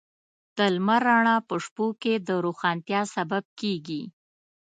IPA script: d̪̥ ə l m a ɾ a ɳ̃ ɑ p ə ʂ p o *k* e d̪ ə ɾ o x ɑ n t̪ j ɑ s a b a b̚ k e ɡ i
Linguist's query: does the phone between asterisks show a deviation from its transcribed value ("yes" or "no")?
no